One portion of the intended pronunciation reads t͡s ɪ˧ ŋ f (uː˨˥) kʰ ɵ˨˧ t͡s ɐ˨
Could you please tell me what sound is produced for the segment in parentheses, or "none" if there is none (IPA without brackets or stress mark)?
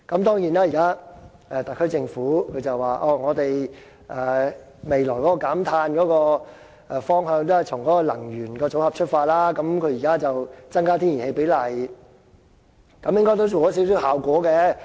uː˨˥